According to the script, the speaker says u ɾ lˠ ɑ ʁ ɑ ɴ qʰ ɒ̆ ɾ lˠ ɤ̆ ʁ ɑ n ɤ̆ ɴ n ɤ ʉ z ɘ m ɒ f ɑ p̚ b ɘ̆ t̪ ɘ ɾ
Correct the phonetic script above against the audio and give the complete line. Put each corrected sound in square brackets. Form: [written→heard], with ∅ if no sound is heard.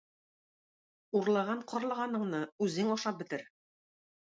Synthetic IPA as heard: u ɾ lˠ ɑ ʁ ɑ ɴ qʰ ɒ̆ ɾ lˠ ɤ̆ ʁ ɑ n ɤ̆ ɴ n ɤ ʉ z ɘ [m→ŋ] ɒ [f→ʃ] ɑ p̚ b ɘ̆ t̪ ɘ ɾ

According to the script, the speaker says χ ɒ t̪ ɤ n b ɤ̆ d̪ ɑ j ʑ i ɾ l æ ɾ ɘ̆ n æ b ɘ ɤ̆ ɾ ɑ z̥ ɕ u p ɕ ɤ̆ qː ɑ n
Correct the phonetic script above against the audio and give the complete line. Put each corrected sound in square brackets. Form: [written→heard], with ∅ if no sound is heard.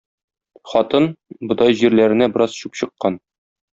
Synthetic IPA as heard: χ ɒ t̪ ɤ n b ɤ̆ d̪ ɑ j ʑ i ɾ l æ ɾ ɘ̆ n æ b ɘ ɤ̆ ɾ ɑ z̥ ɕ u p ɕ ɤ̆ qː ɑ n

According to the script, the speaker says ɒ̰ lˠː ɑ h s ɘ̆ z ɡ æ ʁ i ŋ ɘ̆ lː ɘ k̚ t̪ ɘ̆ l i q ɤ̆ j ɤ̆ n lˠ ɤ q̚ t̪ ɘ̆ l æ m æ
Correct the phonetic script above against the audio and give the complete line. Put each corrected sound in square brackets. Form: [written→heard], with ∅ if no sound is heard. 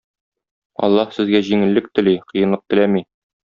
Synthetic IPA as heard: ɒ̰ lˠː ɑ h s ɘ̆ z ɡ æ [ʁ→ʑ] i ŋ ɘ̆ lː ɘ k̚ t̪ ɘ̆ l i q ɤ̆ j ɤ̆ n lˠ ɤ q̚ t̪ ɘ̆ l æ m [æ→i]

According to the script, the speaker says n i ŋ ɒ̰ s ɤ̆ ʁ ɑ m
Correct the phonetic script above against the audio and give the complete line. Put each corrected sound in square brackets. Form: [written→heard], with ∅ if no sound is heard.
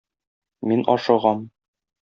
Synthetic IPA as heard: [n→m] i [ŋ→n] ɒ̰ [s→ʃ] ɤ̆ ʁ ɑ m

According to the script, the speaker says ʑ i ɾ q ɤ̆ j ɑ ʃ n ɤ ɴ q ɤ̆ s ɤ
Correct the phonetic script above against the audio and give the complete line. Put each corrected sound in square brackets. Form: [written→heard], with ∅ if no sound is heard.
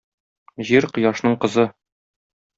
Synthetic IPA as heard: ʑ i ɾ q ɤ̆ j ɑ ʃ n ɤ ɴ q ɤ̆ [s→z] ɤ

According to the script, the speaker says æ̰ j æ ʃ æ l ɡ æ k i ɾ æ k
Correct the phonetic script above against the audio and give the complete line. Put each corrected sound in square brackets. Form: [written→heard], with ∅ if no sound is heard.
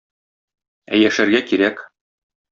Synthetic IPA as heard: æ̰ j æ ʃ æ [l→ɾ] ɡ æ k i ɾ æ k

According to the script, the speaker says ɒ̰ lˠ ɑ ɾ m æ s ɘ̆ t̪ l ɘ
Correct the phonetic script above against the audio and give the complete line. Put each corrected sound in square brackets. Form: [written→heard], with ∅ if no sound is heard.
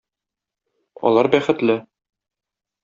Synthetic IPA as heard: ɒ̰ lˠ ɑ ɾ [m→b] æ [s→χ] ɘ̆ t̪ l ɘ

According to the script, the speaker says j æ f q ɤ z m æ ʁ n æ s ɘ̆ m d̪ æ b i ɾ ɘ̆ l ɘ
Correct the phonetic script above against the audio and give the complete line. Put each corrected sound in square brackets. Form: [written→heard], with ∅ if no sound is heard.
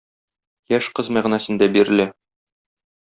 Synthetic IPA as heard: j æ [f→ʃ] q ɤ z m æ ʁ n æ s ɘ̆ [m→n] d̪ æ b i ɾ ɘ̆ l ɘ

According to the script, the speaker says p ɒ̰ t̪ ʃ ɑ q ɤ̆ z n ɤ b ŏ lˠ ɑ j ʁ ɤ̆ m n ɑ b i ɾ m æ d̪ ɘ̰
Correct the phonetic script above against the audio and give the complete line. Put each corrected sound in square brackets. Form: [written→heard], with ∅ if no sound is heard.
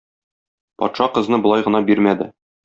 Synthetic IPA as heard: p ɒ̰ t̪ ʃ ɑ q ɤ̆ z n ɤ b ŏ lˠ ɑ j ʁ ɤ̆ [m→∅] n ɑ b i ɾ m æ d̪ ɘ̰

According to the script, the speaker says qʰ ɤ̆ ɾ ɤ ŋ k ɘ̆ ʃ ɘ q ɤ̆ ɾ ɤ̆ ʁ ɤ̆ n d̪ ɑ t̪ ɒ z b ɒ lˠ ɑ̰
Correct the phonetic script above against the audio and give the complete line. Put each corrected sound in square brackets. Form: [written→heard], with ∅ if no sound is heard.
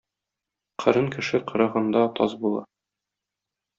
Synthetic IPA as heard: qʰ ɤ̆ ɾ ɤ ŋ k ɘ̆ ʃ ɘ q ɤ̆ ɾ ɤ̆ ʁ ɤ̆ n d̪ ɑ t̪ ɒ z b [ɒ→u] lˠ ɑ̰

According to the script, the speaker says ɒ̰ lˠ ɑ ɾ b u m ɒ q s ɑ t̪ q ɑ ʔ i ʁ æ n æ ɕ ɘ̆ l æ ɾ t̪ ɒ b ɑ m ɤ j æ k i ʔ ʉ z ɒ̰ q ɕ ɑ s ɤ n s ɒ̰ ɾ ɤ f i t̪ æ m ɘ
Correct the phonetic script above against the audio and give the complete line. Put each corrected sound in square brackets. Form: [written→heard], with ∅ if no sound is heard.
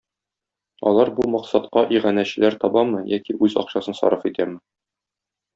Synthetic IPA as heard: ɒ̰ lˠ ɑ ɾ b u m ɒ q s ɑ t̪ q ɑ ʔ i ʁ æ n æ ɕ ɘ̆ l æ ɾ t̪ ɒ b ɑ m ɤ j æ k i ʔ ʉ z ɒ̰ q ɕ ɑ s ɤ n s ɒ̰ ɾ ɤ f i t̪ æ m ɘ

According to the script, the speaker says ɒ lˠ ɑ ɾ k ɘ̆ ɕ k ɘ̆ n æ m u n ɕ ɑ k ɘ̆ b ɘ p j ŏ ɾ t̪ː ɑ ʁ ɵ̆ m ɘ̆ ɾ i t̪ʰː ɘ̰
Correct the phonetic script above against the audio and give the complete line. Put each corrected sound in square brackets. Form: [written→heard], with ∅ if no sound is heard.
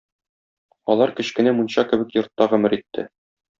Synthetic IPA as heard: ɒ lˠ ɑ ɾ k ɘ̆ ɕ k ɘ̆ n æ m u n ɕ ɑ k ɘ̆ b ɘ [p→k] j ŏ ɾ t̪ː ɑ ʁ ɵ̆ m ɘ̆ ɾ i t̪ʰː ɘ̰

